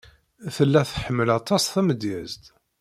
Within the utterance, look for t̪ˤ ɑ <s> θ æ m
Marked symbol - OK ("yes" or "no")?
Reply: yes